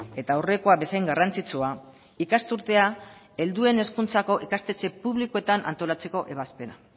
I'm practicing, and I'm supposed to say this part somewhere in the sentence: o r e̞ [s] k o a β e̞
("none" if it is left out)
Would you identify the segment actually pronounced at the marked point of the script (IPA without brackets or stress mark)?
none